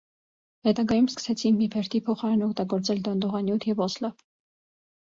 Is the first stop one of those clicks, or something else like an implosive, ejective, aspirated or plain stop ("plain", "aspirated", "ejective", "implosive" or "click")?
plain